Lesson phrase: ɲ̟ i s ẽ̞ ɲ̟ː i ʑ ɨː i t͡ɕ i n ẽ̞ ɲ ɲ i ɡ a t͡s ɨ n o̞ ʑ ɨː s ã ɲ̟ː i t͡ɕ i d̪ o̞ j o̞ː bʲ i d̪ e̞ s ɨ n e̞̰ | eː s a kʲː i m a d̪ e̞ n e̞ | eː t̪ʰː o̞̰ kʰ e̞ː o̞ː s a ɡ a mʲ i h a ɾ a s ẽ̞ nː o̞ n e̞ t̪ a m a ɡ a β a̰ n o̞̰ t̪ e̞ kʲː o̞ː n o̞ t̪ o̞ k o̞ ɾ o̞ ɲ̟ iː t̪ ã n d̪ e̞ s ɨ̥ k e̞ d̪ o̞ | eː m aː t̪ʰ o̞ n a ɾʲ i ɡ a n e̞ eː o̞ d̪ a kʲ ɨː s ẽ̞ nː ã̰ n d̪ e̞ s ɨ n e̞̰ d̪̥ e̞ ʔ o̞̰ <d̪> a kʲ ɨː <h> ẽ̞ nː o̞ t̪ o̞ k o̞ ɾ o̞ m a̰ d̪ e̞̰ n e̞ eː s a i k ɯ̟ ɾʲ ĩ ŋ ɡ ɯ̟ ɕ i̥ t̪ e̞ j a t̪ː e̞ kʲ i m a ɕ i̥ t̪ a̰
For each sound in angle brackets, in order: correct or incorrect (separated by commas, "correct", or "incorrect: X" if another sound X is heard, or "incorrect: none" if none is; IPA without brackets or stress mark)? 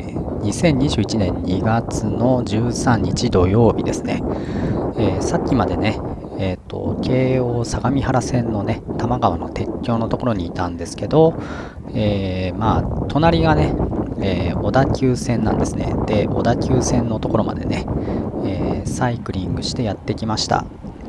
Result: correct, incorrect: s